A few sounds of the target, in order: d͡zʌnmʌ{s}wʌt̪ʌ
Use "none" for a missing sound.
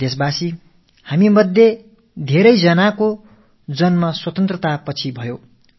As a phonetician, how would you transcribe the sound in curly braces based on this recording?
s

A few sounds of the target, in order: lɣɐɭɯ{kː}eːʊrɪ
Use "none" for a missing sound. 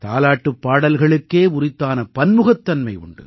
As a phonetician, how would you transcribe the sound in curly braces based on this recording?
kː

